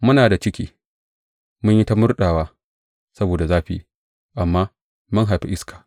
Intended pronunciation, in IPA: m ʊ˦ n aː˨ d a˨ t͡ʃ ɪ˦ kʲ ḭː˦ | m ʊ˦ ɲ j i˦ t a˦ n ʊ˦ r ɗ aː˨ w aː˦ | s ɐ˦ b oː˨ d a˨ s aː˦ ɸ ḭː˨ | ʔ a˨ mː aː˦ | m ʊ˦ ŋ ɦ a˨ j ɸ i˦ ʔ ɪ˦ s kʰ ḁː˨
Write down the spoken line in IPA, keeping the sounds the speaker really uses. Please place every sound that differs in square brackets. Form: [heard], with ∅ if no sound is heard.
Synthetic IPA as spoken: m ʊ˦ n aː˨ d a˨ t͡ʃ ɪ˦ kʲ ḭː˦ | m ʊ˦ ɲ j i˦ t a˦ [m] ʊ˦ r ɗ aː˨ w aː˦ | s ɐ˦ b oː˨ d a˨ [z] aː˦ ɸ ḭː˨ | ʔ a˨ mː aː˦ | m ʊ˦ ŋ ɦ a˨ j ɸ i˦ ʔ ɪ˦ s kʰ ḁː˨